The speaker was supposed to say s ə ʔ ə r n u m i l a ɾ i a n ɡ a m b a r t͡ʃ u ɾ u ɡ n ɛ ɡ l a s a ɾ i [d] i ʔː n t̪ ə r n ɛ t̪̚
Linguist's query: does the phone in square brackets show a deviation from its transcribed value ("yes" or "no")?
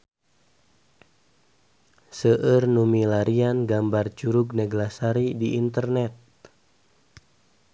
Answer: no